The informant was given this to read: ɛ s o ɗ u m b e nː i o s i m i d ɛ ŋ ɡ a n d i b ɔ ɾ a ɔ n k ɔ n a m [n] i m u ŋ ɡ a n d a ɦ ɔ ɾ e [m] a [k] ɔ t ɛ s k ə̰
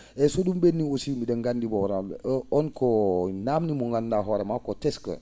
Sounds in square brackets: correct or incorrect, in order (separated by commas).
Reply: correct, correct, correct